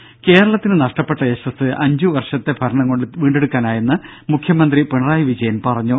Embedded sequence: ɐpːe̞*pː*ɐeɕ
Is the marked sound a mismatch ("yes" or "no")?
yes